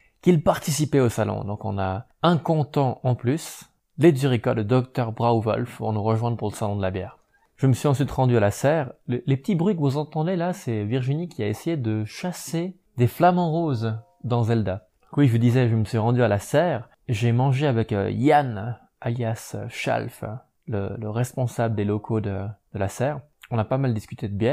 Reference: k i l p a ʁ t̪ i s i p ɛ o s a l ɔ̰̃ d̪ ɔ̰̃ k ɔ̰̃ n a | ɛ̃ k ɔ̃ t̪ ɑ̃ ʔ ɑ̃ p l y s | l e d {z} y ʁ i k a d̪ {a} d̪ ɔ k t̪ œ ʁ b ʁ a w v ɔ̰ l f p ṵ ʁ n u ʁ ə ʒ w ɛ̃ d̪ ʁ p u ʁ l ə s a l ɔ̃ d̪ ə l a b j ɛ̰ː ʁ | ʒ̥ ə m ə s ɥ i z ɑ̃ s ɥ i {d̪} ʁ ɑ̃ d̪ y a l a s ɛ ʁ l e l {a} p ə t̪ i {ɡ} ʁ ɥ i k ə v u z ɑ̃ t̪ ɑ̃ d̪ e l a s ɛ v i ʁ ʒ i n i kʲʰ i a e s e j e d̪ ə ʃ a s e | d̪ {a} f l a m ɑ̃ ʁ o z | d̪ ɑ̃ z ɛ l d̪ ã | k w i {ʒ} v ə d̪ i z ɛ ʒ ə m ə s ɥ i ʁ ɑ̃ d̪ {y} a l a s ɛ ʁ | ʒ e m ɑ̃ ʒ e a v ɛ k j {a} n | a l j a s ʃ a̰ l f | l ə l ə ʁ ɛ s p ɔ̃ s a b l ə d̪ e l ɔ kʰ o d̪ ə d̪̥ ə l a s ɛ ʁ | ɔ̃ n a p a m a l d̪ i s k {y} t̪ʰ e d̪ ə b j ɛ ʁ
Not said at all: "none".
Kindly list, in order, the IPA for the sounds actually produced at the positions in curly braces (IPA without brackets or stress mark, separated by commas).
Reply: z, ə, t̪, e, b, e, ʒ, y, a, y